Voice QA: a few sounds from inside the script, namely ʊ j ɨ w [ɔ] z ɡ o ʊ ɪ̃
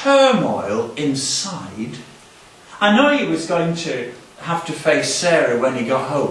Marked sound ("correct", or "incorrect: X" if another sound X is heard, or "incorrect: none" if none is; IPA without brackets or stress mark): incorrect: ʌ